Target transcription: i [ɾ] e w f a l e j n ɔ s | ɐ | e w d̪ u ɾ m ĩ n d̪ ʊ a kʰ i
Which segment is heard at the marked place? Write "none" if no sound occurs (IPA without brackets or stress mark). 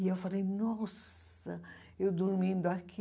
none